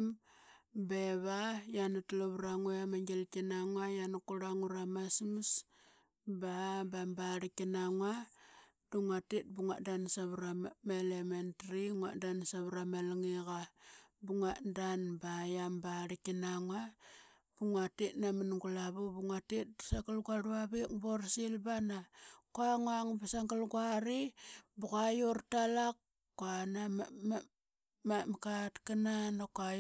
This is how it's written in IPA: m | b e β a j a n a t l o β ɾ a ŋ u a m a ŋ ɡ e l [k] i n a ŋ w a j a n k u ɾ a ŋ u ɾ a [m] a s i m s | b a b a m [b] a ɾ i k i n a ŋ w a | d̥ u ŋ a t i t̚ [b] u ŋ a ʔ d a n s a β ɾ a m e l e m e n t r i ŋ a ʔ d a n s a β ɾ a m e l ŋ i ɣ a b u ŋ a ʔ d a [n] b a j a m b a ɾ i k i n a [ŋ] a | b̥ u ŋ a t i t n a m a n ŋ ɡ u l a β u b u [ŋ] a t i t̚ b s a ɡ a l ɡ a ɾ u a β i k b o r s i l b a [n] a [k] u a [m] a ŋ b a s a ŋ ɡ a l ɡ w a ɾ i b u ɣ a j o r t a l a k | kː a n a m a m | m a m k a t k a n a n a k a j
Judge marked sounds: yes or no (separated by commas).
yes, yes, yes, yes, yes, yes, yes, yes, yes, no